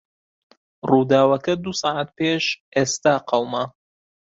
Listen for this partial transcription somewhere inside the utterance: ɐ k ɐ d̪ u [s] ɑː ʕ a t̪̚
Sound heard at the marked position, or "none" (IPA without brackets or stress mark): s